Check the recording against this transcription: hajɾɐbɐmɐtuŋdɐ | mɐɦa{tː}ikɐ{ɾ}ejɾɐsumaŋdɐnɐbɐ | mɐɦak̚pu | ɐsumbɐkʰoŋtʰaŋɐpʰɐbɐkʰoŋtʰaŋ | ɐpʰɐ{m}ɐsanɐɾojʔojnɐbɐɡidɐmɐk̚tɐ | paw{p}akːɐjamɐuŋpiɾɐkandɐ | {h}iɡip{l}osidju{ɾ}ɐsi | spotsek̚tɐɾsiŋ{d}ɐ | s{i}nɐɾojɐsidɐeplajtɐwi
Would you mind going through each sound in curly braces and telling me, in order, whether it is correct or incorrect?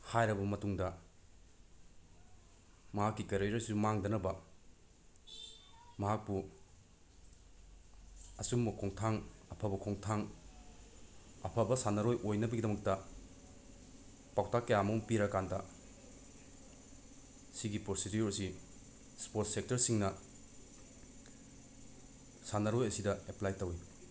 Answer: incorrect, correct, incorrect, incorrect, incorrect, incorrect, correct, incorrect, incorrect

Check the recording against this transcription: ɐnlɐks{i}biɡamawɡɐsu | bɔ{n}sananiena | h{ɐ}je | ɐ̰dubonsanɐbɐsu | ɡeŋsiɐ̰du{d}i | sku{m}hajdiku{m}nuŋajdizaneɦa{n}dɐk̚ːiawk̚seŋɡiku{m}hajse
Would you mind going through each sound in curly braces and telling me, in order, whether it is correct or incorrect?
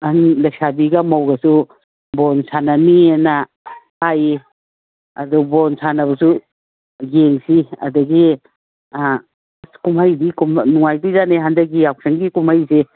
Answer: incorrect, correct, incorrect, incorrect, correct, correct, correct, correct

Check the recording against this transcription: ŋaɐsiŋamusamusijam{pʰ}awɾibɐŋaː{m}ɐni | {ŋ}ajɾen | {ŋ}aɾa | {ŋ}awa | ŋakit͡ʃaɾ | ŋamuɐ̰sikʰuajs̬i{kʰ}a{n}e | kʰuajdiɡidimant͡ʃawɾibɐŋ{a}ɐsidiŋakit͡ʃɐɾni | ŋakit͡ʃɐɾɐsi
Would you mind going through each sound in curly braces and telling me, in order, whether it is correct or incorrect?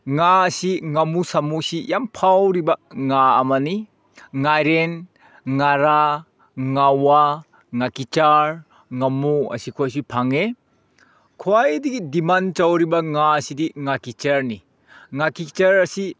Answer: correct, correct, correct, correct, correct, incorrect, incorrect, correct

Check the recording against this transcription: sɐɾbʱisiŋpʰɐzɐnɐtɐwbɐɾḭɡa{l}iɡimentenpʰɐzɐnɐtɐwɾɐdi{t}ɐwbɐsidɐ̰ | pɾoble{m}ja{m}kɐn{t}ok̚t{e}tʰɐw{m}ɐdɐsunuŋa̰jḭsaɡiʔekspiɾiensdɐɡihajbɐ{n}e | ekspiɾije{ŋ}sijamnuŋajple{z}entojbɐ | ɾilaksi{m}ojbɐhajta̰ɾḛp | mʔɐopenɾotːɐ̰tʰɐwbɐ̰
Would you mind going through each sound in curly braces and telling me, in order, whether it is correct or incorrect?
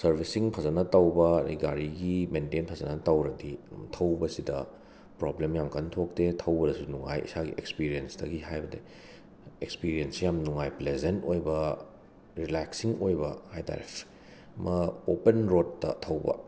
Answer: incorrect, incorrect, correct, correct, incorrect, correct, incorrect, incorrect, incorrect, correct, incorrect

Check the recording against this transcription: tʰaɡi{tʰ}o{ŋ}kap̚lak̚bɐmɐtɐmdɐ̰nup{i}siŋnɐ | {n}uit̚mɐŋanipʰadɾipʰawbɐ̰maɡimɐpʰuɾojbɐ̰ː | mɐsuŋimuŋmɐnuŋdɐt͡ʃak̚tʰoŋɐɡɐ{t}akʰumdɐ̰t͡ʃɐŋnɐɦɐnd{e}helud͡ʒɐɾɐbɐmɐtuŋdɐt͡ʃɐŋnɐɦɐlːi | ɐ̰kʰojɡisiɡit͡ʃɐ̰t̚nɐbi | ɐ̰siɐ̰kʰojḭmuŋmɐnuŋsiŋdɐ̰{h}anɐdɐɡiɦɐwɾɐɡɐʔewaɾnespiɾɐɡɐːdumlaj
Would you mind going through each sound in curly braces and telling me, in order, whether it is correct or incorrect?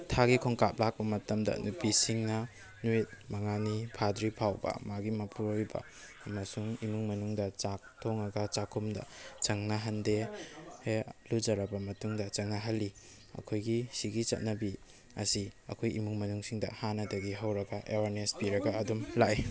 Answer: incorrect, correct, correct, correct, incorrect, correct, correct

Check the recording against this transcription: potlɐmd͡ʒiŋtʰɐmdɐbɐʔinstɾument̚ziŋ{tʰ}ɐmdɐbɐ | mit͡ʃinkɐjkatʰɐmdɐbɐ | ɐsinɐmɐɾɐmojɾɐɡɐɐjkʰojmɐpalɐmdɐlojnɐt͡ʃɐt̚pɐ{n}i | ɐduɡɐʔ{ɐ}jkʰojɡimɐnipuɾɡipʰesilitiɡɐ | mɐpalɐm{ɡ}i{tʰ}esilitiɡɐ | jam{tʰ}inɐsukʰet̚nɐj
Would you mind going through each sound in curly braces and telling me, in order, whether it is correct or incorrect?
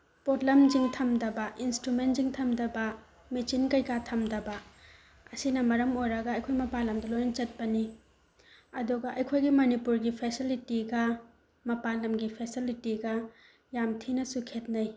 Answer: correct, correct, correct, correct, incorrect, correct

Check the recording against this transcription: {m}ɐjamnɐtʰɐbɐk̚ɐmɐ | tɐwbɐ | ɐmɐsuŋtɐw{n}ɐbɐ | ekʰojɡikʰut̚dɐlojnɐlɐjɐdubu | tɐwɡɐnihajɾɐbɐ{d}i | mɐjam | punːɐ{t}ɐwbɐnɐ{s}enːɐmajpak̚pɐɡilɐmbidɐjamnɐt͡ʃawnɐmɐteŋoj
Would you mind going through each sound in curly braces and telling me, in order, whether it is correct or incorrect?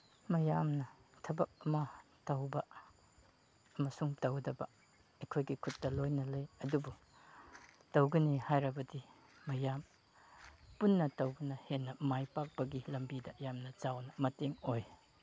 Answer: correct, incorrect, correct, correct, incorrect

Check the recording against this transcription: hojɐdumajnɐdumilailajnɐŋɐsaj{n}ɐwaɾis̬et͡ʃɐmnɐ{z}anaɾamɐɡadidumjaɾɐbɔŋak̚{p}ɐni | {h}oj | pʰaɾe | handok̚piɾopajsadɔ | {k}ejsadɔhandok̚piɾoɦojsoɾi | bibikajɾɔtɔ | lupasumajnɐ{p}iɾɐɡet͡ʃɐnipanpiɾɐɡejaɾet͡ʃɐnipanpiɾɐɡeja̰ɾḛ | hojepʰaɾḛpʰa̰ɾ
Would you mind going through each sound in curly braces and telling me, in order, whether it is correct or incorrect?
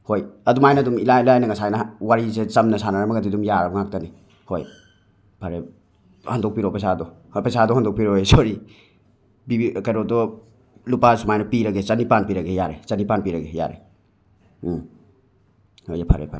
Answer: correct, incorrect, incorrect, correct, incorrect, correct

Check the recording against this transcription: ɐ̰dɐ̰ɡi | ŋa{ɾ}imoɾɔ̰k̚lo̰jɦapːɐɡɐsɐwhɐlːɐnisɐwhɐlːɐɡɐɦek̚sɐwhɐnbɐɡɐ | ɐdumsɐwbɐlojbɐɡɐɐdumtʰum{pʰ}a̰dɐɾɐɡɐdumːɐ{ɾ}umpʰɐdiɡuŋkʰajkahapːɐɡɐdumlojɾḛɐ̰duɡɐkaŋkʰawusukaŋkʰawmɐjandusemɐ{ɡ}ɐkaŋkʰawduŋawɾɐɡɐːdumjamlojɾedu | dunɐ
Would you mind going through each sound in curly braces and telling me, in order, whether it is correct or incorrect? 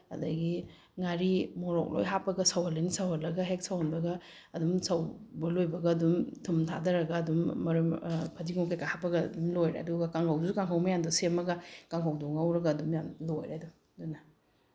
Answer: correct, incorrect, correct, correct

